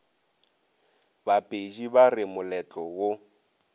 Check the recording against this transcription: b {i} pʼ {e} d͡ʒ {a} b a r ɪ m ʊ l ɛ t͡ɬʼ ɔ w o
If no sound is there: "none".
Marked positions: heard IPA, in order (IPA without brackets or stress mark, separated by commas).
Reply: a, e, i